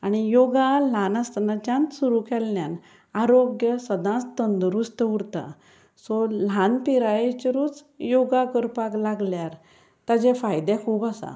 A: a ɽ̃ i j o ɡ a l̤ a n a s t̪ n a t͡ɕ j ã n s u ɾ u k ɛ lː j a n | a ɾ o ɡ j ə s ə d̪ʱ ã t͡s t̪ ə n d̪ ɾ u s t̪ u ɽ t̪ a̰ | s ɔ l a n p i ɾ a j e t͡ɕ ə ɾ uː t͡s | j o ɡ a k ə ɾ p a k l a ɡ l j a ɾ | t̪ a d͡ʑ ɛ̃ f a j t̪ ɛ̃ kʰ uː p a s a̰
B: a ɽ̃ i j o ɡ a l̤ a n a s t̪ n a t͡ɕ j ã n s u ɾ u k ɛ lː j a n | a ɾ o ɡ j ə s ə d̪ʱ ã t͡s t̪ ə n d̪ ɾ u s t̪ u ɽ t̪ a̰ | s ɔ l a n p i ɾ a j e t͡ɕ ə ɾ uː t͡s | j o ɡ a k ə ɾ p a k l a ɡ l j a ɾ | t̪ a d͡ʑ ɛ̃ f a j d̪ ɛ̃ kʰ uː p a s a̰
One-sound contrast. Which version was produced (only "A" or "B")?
B